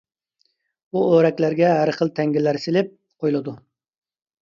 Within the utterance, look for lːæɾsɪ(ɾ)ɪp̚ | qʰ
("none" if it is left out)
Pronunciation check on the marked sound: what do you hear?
l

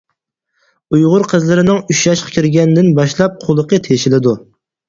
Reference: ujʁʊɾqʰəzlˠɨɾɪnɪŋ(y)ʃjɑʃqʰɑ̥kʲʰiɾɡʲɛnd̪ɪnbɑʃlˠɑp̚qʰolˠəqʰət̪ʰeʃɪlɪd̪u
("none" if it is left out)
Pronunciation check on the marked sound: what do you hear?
y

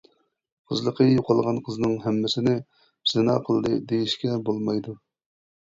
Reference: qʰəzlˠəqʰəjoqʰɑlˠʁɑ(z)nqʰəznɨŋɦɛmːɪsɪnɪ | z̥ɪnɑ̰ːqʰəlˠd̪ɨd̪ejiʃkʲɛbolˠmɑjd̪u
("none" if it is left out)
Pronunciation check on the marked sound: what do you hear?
none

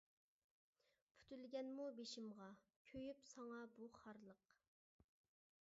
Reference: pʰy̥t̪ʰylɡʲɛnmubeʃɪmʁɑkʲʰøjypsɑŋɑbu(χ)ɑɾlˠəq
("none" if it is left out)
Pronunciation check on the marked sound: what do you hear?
χ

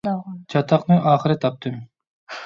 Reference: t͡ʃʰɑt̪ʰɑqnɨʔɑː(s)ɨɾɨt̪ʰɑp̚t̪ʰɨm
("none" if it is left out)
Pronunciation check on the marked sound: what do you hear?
χ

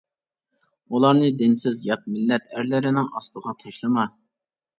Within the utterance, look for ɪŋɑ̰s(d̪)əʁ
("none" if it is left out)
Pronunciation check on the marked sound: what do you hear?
t̪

